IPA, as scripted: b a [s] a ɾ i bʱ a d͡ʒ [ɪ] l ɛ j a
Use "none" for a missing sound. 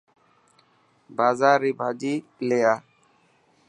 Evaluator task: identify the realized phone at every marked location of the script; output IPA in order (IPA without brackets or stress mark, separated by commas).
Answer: z, i